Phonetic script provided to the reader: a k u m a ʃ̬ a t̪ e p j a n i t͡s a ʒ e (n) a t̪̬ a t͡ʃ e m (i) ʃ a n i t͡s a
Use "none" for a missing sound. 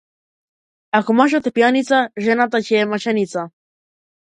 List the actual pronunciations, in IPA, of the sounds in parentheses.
n, a

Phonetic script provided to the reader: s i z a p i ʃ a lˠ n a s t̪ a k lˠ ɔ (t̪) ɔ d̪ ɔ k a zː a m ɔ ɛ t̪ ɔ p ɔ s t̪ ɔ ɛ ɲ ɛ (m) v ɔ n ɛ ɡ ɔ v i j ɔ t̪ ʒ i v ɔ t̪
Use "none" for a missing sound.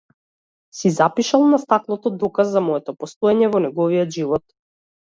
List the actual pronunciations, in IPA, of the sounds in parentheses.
t̪, none

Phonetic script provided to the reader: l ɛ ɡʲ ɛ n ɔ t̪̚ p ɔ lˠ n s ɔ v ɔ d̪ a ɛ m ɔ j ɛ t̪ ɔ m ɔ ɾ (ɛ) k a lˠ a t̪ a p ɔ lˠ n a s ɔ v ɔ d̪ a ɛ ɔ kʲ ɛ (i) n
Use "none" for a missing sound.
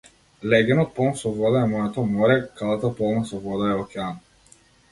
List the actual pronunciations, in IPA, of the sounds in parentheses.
ɛ, a

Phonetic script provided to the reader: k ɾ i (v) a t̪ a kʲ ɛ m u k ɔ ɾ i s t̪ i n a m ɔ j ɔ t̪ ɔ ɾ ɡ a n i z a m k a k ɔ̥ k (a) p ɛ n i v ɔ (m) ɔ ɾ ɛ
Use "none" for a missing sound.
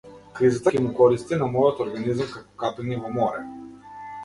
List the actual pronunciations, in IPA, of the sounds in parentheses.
z, a, m

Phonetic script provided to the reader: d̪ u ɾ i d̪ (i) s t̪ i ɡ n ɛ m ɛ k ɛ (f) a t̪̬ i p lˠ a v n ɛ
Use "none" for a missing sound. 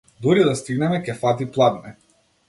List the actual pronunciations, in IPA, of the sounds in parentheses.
a, f

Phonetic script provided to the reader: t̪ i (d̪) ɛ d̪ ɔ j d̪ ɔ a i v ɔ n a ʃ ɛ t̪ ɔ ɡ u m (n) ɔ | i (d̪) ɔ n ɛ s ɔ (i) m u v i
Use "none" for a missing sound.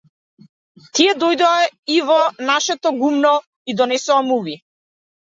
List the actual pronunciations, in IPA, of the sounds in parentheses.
none, n, d̪, a

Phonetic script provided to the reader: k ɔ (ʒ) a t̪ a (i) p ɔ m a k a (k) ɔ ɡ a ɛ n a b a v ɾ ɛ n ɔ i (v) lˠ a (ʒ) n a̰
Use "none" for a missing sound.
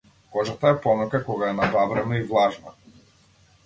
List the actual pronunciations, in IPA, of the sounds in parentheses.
ʒ, ɛ, k, v, ʒ

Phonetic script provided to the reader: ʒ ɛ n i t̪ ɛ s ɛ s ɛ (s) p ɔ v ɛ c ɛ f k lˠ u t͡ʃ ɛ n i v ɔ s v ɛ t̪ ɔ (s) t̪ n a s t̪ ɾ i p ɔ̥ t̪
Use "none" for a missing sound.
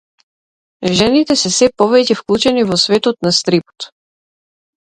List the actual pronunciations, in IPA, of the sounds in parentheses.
none, none

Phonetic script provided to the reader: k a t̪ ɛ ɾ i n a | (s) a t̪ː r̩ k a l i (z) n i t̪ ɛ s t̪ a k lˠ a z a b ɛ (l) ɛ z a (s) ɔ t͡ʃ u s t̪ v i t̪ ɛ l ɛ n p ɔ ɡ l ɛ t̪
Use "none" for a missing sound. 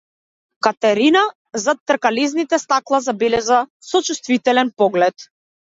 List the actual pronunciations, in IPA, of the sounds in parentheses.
z, z, l, s

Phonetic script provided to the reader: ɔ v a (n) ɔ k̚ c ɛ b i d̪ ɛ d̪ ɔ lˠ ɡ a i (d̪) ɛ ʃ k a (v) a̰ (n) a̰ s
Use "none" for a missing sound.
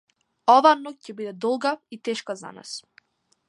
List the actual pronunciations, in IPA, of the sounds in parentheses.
n, t̪, z, n

